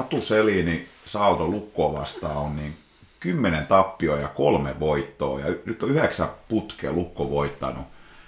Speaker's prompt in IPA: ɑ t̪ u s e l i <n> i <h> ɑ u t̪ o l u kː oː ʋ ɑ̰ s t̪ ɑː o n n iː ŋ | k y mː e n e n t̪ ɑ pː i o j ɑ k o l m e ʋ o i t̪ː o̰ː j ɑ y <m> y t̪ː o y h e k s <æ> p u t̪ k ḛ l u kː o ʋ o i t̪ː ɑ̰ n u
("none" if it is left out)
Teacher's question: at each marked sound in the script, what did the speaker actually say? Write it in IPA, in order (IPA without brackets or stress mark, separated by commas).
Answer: n, s, n, æ